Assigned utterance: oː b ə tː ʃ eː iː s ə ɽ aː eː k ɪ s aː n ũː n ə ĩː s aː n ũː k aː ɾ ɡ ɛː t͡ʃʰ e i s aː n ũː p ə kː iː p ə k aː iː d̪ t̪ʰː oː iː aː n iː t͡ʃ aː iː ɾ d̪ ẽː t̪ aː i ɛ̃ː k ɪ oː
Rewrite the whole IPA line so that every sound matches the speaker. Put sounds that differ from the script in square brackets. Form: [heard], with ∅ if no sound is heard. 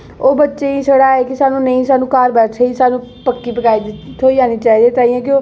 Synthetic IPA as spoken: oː b ə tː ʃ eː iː s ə ɽ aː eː k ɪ s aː n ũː n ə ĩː s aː n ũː k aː ɾ [b] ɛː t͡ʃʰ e i s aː n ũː p ə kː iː p ə k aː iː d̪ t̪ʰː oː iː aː n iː t͡ʃ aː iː [∅] d̪ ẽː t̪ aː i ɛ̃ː k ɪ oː